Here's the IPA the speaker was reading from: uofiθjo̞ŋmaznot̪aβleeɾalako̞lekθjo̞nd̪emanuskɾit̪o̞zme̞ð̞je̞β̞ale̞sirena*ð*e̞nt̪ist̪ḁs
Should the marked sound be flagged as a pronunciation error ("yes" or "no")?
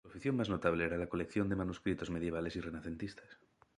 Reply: yes